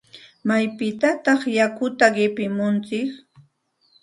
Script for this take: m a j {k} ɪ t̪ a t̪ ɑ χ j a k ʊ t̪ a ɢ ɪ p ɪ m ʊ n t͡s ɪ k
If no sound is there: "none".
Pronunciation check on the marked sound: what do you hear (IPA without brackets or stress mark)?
p